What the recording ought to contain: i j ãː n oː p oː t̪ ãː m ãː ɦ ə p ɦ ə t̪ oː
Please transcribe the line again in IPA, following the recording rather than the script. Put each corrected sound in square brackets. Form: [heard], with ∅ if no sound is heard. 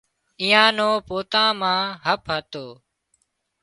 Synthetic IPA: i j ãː n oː p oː t̪ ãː m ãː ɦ ə p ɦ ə t̪ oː